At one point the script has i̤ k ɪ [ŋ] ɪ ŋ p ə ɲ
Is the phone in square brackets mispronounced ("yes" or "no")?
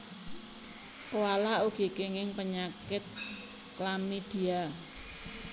no